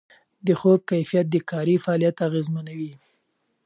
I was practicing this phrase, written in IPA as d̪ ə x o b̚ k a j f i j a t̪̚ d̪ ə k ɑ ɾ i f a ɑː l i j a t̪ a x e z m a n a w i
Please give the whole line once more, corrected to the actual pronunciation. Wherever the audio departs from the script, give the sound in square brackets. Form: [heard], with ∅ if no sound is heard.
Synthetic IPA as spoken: d̪ ə x o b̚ k a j f i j a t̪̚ d̪ ə k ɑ ɾ i f a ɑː l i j a t̪ a [ɣ] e z m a n a w i